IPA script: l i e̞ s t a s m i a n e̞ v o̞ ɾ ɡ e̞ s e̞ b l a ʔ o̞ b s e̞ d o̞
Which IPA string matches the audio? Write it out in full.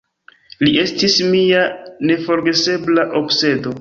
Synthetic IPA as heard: l i e̞ s t i s m i a n e̞ f o̞ ɾ ɡ e̞ s e̞ b l a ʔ o̞ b s e̞ d o̞